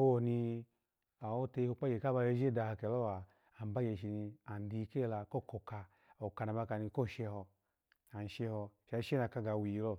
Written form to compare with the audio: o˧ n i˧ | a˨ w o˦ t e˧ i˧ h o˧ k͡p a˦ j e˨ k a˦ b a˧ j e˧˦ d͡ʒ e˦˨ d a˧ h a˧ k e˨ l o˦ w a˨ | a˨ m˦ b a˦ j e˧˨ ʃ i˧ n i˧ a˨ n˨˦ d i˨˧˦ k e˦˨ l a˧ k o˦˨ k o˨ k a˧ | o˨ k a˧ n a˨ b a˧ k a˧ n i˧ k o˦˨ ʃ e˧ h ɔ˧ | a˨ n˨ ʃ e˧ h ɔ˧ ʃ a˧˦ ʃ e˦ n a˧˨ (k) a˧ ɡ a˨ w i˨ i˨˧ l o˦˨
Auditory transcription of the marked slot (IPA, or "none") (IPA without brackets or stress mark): k